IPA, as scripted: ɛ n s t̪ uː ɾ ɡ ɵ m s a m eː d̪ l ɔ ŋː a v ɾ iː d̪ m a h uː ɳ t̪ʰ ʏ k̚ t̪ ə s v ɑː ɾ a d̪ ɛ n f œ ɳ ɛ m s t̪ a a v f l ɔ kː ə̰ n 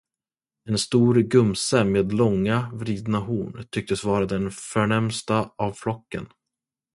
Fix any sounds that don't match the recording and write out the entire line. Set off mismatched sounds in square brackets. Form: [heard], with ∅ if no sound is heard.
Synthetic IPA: ɛ n s t̪ uː ɾ ɡ ɵ m s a m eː d̪ l ɔ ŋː a v ɾ iː d̪ [n] a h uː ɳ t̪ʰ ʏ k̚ t̪ ə s v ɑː ɾ a d̪ ɛ n f œ ɳ ɛ m s t̪ a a v f l ɔ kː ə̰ n